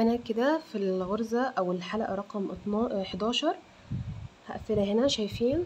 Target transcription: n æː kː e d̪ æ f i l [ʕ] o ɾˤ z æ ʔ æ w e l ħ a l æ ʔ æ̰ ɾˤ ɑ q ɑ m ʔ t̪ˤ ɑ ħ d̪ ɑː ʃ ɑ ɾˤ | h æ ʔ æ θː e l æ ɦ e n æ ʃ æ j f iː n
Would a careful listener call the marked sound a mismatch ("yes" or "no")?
yes